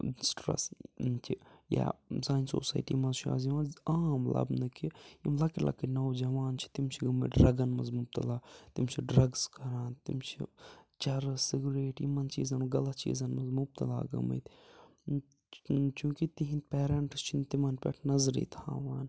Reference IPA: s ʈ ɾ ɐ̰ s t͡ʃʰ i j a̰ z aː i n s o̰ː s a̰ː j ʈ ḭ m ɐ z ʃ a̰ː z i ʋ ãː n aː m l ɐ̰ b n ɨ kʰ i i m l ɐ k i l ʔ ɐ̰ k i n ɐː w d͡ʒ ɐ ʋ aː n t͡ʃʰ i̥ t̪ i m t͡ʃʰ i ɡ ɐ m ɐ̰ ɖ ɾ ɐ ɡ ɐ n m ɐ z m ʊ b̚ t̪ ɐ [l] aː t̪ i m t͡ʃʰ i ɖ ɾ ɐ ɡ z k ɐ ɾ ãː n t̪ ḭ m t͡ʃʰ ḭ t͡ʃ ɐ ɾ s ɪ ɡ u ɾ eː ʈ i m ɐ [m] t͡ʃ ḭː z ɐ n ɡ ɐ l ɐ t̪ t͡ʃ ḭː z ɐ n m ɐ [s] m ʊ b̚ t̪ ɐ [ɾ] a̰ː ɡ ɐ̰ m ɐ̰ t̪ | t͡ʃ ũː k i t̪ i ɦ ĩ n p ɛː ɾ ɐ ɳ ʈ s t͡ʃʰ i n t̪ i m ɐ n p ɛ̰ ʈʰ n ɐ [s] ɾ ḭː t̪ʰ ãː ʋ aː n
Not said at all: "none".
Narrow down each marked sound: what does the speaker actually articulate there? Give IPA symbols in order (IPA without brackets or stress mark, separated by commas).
l, n, z, l, z